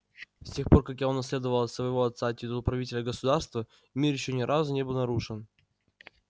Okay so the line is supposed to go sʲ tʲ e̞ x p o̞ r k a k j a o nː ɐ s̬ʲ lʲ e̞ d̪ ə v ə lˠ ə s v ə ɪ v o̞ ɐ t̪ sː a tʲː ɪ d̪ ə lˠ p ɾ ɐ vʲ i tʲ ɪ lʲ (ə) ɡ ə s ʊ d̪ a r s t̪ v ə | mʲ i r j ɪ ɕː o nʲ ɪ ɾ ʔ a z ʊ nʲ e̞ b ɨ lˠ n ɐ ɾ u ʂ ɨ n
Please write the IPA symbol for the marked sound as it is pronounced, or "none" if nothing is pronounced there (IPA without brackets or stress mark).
ə